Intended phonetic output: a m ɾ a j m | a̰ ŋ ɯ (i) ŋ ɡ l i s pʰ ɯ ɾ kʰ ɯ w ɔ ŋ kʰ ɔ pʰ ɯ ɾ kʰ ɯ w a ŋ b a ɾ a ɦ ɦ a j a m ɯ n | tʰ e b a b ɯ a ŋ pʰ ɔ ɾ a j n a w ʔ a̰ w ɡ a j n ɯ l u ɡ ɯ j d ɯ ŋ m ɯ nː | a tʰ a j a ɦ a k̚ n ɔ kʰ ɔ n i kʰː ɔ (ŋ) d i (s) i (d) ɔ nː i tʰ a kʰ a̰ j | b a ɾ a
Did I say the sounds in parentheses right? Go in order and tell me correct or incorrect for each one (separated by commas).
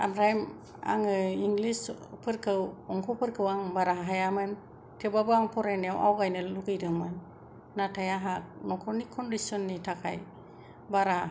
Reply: correct, incorrect, correct, incorrect